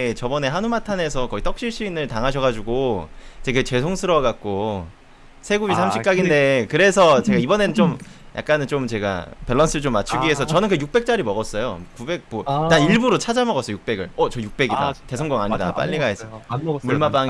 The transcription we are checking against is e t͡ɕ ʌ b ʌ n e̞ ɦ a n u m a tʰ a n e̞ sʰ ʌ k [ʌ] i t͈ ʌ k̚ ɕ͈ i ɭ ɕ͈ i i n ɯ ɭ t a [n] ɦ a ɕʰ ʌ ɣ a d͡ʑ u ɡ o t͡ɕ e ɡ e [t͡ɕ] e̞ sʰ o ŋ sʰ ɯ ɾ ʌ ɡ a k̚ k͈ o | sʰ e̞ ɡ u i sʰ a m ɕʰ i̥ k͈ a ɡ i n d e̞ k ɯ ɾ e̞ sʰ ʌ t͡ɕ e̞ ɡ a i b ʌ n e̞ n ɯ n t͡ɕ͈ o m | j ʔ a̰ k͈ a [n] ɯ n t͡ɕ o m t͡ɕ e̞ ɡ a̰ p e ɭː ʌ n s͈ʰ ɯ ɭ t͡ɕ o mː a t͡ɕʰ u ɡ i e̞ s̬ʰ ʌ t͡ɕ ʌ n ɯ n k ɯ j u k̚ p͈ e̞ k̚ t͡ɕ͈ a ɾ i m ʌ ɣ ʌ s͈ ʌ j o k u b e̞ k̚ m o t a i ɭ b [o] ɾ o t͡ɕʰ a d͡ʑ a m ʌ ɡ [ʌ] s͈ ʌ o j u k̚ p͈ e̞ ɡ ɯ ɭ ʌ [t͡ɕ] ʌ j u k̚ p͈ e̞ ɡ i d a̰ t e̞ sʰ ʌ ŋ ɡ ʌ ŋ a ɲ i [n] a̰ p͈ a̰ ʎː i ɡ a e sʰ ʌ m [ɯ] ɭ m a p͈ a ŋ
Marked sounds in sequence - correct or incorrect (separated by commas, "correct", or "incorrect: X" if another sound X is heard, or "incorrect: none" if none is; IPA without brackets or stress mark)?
correct, incorrect: ŋ, correct, correct, incorrect: u, correct, correct, incorrect: d, incorrect: u